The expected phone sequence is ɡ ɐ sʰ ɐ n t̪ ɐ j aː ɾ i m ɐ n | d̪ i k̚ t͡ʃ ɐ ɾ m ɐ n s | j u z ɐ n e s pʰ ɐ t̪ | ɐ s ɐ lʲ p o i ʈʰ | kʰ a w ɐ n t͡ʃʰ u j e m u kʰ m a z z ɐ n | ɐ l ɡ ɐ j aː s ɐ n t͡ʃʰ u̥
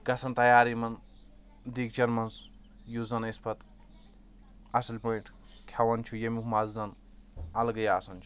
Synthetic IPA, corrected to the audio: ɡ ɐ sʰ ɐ n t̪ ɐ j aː ɾ i m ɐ n | d̪ i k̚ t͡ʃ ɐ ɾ m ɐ n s | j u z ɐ n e s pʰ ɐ t̪ | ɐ s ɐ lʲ p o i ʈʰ | kʰ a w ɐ n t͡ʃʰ u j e m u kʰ m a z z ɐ n | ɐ l ɡ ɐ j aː s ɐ n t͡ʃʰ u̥